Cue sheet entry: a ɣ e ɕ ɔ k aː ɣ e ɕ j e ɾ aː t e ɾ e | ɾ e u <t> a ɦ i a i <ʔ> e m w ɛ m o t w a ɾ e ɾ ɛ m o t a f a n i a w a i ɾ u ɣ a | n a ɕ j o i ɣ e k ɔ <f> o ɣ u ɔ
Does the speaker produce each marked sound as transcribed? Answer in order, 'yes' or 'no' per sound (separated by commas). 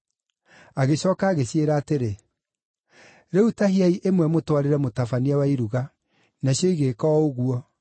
yes, yes, no